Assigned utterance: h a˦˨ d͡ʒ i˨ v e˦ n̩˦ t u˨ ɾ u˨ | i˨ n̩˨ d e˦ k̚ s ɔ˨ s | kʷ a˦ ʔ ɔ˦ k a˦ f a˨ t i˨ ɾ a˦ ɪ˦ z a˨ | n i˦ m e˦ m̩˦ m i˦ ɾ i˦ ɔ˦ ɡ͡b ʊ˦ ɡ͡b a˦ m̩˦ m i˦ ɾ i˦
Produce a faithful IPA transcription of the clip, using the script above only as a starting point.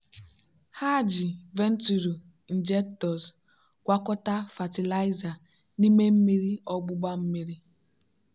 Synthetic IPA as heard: h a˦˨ d͡ʒ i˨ v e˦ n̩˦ t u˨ ɾ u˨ | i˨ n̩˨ d͡ʒ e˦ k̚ t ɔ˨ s | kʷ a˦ k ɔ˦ t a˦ f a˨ t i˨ l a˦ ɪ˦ z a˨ | n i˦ m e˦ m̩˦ m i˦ ɾ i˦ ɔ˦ ɡ͡b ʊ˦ ɡ͡b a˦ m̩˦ m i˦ ɾ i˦